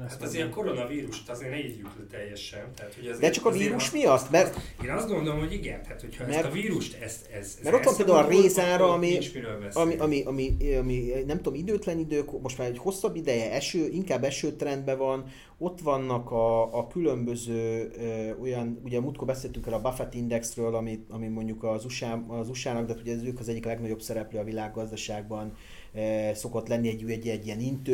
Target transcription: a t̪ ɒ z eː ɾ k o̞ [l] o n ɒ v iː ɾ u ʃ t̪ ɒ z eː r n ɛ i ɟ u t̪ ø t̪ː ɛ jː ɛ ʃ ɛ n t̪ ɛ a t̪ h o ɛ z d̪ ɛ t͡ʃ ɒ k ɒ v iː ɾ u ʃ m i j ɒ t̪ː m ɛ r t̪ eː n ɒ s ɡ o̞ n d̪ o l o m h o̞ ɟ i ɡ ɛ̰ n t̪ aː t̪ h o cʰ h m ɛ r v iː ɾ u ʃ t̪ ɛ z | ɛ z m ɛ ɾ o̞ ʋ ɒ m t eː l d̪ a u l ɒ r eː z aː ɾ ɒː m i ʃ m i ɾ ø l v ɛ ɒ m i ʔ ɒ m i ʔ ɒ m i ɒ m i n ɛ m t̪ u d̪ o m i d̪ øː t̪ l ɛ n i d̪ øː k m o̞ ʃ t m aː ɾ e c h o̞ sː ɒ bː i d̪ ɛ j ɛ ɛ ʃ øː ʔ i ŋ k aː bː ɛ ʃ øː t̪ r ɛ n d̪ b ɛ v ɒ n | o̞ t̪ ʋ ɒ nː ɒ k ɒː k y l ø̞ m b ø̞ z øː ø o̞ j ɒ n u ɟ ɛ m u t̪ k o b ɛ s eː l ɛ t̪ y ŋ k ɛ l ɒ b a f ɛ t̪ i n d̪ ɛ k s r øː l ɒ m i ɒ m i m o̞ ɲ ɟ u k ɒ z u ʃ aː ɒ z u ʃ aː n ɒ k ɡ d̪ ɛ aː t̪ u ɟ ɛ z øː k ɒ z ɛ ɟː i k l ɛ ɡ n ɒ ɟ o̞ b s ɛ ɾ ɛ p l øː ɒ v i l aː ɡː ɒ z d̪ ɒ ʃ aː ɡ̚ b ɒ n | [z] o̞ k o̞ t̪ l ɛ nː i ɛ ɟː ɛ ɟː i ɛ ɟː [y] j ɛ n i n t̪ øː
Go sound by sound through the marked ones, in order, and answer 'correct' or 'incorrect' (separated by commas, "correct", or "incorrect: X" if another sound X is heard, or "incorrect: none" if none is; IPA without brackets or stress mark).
incorrect: ɾ, incorrect: s, incorrect: i